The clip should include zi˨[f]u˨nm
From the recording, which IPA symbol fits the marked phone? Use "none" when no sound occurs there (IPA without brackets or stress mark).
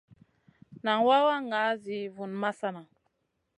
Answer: v